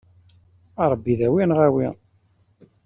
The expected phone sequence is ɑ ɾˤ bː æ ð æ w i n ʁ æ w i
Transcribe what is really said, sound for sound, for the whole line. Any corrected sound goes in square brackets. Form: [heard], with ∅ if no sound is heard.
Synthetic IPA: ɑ ɾˤ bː [i] ð æ w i n ʁ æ w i